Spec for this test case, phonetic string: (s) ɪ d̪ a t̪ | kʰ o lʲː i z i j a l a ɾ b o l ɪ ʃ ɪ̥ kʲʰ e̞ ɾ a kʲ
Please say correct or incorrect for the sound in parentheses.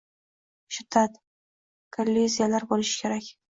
incorrect: ʃ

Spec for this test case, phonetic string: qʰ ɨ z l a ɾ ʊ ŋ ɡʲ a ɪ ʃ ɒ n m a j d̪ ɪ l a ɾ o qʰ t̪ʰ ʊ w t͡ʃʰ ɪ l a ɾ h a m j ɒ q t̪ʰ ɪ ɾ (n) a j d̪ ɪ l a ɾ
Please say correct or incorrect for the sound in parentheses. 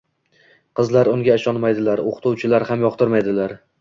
incorrect: m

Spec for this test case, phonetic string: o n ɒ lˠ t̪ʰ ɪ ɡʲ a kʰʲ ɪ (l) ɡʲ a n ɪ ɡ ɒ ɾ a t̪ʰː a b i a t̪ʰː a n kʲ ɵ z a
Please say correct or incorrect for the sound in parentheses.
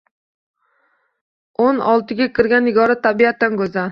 incorrect: ɾ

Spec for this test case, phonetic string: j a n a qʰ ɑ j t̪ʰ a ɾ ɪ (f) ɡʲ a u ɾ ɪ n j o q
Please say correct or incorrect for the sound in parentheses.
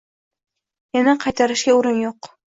incorrect: ʃ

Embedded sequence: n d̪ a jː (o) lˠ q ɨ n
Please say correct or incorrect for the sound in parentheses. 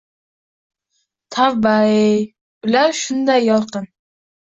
incorrect: ɒ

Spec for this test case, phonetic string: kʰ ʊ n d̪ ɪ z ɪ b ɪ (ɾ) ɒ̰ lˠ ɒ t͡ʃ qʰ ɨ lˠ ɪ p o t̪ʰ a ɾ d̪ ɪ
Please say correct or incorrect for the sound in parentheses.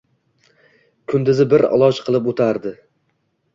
correct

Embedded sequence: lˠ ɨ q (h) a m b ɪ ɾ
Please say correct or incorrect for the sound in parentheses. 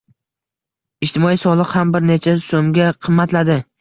correct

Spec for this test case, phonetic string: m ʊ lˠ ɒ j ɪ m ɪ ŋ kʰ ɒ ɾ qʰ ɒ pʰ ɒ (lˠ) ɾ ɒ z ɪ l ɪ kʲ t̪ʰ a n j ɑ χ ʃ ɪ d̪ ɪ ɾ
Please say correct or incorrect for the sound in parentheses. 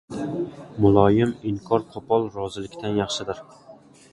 correct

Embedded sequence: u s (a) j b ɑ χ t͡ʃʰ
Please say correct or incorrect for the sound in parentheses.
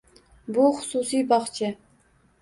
incorrect: i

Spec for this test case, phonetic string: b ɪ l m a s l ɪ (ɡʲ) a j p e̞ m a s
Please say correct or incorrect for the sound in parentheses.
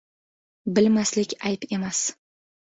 incorrect: kʲ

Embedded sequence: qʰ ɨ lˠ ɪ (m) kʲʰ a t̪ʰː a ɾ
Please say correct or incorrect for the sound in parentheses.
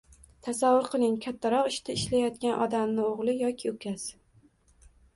incorrect: ŋ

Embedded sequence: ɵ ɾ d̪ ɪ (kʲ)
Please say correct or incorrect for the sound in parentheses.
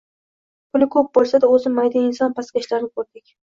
correct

